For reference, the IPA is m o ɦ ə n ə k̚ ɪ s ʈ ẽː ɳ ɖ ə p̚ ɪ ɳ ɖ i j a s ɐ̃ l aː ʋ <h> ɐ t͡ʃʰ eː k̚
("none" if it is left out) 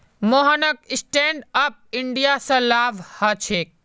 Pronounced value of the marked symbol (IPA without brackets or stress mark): h